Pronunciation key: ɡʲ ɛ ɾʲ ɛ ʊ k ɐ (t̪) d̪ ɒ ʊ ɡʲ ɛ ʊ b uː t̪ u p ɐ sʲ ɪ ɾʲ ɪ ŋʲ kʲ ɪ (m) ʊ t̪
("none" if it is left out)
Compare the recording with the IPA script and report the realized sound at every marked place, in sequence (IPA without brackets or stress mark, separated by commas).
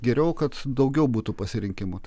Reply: t̪, m